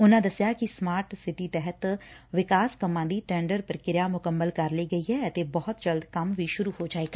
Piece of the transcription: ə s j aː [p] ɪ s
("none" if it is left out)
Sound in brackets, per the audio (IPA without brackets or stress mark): k